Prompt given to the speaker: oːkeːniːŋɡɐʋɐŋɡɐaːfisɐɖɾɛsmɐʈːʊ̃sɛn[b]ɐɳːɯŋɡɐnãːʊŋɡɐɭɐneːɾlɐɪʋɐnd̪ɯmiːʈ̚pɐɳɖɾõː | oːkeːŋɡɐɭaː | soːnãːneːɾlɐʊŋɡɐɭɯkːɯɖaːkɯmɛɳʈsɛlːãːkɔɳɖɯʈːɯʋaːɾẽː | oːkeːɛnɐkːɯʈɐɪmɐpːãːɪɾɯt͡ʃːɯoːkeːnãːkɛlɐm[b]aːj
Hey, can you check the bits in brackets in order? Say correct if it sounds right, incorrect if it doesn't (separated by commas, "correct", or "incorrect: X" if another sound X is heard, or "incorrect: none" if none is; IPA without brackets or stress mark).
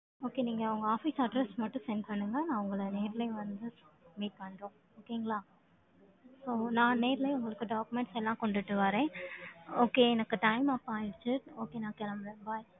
incorrect: p, correct